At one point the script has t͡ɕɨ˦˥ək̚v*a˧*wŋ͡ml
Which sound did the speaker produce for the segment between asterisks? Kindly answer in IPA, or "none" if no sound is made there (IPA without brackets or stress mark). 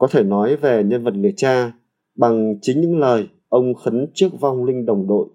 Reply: a˧